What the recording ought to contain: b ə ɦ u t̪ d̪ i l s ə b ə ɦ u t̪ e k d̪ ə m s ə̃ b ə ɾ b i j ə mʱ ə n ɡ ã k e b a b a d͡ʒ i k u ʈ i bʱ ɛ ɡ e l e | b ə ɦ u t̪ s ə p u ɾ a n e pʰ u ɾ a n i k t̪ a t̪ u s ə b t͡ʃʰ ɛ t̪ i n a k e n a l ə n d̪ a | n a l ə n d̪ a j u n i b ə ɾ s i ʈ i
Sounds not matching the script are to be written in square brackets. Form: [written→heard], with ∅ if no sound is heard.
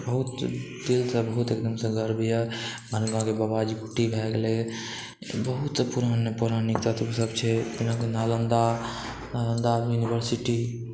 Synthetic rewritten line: b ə ɦ u t̪ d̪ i l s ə b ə ɦ u t̪ e k d̪ ə m s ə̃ [b→ɡ] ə ɾ b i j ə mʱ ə n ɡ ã k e b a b a d͡ʒ i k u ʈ i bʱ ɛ ɡ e l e | b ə ɦ u t̪ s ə p u ɾ a n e [pʰ→p] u ɾ a n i k t̪ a t̪ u s ə b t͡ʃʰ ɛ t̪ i n a k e n a l ə n d̪ a | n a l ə n d̪ a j u n i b ə ɾ s i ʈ i